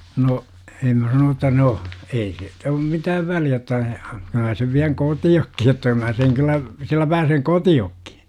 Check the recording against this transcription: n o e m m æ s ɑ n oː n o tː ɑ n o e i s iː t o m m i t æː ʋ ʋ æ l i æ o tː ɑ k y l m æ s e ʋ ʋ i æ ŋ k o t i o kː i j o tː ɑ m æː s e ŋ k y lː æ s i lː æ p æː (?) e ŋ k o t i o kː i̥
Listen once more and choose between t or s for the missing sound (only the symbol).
s